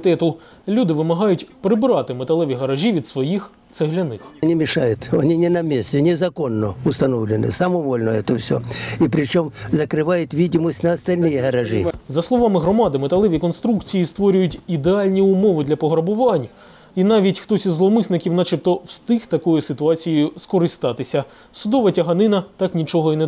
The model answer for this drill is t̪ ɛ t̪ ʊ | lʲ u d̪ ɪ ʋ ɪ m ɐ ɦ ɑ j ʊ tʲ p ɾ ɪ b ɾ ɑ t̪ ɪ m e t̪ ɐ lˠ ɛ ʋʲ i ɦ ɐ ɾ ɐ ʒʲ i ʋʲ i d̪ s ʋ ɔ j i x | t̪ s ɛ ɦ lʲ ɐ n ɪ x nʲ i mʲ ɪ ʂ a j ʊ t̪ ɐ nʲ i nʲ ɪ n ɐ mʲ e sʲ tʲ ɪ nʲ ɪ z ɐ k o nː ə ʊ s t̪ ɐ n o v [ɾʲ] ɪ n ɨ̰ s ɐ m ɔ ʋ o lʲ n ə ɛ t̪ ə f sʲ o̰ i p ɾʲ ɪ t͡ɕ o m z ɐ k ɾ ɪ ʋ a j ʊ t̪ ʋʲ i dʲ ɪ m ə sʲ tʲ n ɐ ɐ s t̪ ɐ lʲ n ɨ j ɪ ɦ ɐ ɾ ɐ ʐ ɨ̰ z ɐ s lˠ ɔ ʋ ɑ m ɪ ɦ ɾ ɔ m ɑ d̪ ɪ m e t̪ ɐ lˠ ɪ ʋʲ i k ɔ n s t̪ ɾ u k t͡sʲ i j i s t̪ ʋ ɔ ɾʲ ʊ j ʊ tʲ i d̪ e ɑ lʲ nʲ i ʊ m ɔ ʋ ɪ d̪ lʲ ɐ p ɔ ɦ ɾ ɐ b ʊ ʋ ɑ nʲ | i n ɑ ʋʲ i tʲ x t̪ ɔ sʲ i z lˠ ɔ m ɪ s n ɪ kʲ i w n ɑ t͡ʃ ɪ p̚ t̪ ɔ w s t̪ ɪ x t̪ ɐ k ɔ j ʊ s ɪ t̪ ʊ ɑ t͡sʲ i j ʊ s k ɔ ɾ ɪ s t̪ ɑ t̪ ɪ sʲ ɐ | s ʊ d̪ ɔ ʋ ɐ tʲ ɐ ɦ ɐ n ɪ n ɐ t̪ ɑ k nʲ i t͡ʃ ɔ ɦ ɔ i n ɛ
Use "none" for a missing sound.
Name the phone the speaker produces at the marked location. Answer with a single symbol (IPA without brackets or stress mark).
lʲ